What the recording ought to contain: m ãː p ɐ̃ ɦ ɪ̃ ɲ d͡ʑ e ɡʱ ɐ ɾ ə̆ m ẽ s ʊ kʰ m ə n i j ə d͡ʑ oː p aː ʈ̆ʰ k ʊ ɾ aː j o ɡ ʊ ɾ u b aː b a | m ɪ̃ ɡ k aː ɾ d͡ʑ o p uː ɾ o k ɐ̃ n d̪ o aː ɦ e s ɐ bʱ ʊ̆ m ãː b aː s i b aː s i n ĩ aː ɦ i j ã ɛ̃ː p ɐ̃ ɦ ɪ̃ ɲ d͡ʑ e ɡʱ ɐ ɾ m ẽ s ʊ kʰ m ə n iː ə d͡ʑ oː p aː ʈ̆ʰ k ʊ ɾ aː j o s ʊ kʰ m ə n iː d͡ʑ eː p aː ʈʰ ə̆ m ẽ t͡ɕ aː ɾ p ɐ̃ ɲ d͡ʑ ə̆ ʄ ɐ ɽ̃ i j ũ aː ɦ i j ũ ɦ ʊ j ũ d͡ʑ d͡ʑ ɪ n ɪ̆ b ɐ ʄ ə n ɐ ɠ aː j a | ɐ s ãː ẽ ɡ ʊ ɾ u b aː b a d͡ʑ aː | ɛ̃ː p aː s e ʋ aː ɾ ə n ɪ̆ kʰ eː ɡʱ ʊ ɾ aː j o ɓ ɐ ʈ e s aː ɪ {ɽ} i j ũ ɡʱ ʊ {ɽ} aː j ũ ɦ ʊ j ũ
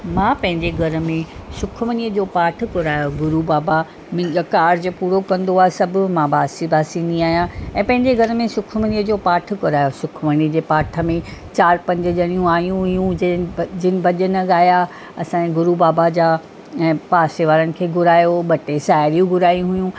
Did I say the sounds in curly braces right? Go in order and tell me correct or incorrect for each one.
incorrect, incorrect

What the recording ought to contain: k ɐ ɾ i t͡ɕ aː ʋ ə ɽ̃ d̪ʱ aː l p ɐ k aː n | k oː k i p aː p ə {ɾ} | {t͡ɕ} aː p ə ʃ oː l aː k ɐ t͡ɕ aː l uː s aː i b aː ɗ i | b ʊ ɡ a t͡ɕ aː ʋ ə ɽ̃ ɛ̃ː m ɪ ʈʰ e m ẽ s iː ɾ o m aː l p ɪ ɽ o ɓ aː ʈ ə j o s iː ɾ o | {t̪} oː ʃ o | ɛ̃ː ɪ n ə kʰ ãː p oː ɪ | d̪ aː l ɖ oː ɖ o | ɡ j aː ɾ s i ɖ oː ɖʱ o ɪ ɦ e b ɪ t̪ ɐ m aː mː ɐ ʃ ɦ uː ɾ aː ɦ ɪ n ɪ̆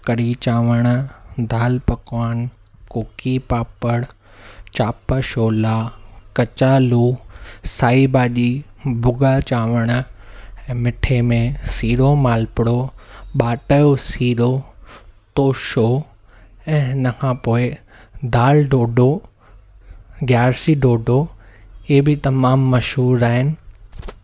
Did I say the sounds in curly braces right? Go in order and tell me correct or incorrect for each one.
incorrect, correct, correct

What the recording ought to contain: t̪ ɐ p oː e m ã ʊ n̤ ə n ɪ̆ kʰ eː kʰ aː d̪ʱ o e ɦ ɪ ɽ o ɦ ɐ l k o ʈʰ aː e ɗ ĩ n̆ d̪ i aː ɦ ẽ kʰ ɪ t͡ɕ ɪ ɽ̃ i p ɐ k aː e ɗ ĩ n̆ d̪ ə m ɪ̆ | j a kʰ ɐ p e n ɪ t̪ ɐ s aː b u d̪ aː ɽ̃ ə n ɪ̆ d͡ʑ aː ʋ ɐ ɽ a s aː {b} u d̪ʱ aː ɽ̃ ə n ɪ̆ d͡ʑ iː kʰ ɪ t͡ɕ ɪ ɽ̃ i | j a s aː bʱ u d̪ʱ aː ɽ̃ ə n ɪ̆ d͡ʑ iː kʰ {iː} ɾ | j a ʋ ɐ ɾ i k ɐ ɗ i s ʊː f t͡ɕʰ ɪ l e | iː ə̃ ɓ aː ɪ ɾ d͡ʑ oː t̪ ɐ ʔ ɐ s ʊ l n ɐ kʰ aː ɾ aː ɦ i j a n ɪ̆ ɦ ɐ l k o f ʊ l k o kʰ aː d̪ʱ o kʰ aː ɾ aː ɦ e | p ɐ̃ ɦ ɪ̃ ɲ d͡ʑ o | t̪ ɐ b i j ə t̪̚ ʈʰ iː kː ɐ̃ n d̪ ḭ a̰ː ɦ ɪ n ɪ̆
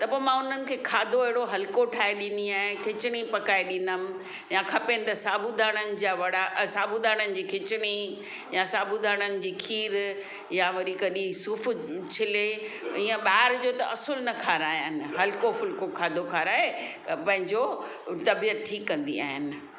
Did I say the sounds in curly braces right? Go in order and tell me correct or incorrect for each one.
correct, correct

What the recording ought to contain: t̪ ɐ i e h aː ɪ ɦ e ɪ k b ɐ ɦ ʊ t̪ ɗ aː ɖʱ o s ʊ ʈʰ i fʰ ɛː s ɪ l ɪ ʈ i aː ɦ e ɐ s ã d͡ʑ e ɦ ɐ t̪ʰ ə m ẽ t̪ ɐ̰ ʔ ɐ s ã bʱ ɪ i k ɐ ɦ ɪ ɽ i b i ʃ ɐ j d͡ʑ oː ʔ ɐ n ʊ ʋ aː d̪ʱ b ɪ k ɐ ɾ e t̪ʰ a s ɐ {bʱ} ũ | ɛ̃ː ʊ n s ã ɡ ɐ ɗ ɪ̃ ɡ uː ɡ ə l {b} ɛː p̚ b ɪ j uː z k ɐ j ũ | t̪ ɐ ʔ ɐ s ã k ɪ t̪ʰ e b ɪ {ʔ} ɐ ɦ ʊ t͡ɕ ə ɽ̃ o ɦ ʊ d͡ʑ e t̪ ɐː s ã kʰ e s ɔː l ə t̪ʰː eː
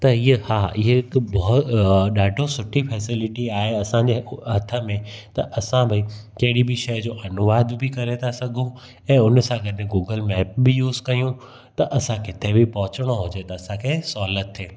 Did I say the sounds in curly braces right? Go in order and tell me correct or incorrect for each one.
incorrect, incorrect, incorrect

